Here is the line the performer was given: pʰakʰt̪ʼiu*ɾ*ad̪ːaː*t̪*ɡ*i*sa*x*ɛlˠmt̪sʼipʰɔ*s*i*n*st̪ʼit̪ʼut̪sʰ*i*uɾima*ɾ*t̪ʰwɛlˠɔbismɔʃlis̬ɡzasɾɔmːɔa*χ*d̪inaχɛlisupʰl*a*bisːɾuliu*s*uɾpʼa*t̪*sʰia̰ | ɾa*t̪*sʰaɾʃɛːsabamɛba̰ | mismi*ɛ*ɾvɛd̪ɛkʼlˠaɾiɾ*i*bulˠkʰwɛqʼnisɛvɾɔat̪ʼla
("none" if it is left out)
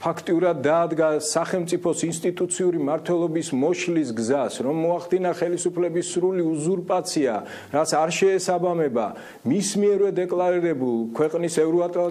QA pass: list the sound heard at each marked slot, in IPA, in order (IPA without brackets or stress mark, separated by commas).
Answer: ɾ, d̪, a, χ, s, n, i, ɾ, χ, ɛ, z, t̪, t̪, ɛ, ɛ